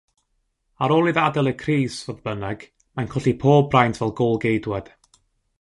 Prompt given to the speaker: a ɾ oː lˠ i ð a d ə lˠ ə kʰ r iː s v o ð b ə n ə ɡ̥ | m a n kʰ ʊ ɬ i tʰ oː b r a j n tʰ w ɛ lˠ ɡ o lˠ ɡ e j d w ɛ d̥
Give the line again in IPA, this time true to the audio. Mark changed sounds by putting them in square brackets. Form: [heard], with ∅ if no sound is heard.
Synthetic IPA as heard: a ɾ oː lˠ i ð a d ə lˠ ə kʰ r iː s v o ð b ə n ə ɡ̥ | m a n kʰ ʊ ɬ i [pʰ] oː b r a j n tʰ [v] ɛ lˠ ɡ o lˠ ɡ e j d w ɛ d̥